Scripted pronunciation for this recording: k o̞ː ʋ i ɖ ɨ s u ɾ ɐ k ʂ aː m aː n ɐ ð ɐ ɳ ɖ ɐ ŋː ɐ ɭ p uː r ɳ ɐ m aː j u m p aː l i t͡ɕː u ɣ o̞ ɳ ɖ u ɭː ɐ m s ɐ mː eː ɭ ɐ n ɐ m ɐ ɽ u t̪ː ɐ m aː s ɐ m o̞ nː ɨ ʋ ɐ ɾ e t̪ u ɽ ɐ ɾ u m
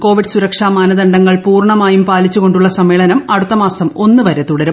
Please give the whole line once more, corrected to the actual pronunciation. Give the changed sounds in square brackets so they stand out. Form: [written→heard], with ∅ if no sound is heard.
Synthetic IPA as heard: k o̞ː ʋ i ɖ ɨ s u ɾ ɐ k ʂ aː m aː n ɐ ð ɐ ɳ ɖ ɐ ŋː ɐ ɭ p uː r ɳ ɐ m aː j u m p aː l i t͡ɕː u ɣ o̞ ɳ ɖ u ɭː ɐ [m→∅] s ɐ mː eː ɭ ɐ n ɐ m ɐ ɽ u t̪ː ɐ m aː s ɐ m o̞ nː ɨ ʋ ɐ ɾ e t̪ u ɽ ɐ ɾ u m